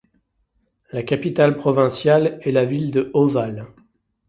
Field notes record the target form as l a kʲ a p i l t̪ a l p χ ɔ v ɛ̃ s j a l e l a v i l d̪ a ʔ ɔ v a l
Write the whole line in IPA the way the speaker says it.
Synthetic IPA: l a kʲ a p i t̪ a l p χ ɔ v ɛ̃ s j a l ɛ l a v i l d̪ ə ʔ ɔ v a l